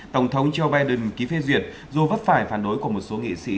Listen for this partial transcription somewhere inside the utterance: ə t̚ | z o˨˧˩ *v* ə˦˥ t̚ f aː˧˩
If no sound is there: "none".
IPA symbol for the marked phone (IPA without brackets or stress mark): v